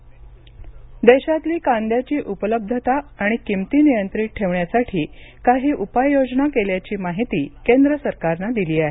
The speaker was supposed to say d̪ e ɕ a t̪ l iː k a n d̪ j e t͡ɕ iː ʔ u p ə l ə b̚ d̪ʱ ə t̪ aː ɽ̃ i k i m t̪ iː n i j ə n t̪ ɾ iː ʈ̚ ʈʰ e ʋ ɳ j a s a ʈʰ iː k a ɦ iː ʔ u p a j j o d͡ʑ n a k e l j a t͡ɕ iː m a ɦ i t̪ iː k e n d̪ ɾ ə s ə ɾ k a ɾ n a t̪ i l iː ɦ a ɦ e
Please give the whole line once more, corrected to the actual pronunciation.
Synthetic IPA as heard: d̪ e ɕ a t̪ l iː k a n d̪ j a t͡ɕ iː ʔ u p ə l ə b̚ d̪ʱ ə t̪ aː ɽ̃ i k i m t̪ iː n i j ə n t̪ ɾ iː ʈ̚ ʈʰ e ʋ ɳ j a s a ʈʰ iː k a ɦ iː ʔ u p a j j o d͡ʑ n a k e l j a t͡ɕ iː m a ɦ i t̪ iː k e n d̪ ɾ ə s ə ɾ k a ɾ n a d̪ i l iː a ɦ e